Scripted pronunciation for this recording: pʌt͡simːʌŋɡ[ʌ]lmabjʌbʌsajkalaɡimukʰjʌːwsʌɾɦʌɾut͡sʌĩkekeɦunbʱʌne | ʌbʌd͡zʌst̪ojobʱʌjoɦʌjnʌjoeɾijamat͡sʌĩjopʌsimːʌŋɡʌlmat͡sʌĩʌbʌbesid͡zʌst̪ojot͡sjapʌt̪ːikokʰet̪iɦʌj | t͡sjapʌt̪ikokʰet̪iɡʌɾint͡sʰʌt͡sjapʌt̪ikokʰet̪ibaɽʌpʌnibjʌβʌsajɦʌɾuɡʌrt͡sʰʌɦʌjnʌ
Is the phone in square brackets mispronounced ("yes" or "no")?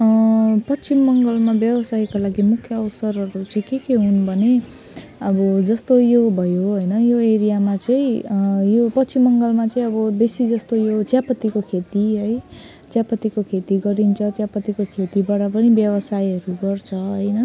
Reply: no